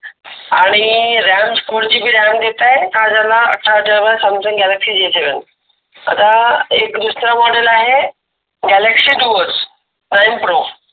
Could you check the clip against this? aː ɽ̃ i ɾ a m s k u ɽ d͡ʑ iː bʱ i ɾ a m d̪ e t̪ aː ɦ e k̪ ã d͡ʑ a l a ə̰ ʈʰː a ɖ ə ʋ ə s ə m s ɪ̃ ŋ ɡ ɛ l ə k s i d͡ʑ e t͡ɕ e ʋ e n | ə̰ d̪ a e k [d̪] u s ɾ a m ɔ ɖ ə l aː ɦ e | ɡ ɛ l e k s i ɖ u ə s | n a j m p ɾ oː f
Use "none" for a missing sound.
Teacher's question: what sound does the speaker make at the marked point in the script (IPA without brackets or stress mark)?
d̪